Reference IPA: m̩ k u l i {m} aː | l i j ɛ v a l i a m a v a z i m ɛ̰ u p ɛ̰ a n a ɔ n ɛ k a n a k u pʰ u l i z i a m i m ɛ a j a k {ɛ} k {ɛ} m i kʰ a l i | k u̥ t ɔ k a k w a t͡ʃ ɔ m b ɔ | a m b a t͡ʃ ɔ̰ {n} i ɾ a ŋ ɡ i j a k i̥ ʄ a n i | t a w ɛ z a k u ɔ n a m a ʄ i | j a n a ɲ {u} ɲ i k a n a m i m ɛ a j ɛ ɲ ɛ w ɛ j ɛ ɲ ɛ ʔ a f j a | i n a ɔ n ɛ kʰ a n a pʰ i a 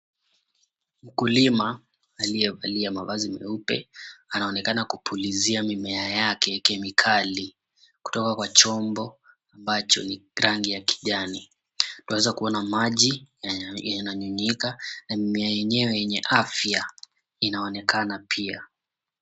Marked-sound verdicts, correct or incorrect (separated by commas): correct, correct, correct, correct, correct